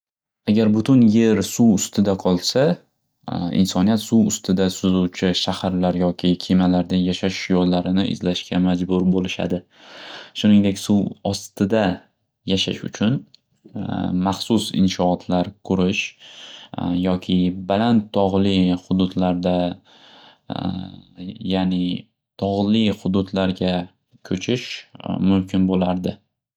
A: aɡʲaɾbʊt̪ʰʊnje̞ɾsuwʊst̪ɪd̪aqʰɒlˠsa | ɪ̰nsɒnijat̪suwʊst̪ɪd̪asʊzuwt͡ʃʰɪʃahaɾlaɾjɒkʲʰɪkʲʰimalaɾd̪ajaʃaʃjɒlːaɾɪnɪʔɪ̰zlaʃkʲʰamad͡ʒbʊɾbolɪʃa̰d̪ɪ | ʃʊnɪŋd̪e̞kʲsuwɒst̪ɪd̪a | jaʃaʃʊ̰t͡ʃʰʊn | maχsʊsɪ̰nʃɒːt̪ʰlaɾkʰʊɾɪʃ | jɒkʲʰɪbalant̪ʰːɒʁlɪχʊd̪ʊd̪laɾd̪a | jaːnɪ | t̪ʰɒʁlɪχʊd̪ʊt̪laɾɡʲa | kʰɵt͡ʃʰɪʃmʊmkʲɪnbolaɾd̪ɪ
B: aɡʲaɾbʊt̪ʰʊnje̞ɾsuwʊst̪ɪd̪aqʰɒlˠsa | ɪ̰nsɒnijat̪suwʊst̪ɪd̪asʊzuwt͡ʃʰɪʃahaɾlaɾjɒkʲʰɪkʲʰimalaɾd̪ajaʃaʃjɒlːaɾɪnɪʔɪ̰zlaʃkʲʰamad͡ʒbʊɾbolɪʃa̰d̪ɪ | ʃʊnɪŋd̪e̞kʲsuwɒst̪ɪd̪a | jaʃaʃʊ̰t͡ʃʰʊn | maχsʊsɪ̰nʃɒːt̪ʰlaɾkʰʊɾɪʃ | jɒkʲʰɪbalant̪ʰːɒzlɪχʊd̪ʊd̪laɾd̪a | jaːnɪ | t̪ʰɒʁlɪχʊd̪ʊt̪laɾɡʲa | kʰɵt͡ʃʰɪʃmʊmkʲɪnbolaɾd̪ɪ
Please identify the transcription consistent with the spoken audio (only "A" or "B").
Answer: A